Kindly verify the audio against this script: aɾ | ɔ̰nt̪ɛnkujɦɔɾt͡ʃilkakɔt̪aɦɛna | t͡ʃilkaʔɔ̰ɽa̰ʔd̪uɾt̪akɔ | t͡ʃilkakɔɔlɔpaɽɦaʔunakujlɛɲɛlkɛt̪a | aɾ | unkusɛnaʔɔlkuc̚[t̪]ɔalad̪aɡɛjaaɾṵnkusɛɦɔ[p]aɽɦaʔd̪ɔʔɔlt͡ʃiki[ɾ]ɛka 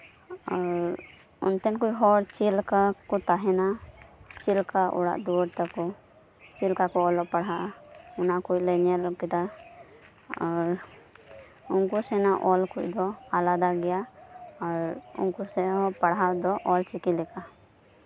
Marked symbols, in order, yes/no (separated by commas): no, yes, no